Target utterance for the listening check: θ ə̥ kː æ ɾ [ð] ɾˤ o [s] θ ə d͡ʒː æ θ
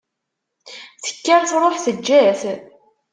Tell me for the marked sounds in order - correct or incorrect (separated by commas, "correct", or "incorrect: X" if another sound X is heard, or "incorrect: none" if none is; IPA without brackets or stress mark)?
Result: incorrect: θ, incorrect: ħ